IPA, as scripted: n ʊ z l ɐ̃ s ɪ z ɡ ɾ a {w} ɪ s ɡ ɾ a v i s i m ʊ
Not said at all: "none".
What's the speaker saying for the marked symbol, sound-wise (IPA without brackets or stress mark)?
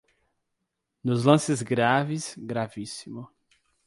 v